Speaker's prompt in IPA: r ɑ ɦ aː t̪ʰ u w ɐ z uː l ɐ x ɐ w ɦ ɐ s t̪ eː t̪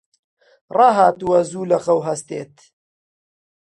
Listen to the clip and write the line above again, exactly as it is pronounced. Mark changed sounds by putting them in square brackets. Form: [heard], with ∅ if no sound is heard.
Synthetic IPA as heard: r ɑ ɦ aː [t̪] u w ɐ z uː l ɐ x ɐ w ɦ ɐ s t̪ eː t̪